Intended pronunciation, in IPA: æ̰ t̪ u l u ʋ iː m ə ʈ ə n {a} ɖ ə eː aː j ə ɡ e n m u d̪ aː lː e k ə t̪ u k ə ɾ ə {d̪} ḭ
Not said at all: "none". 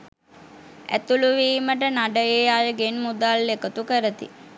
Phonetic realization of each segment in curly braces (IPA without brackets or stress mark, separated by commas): a, t̪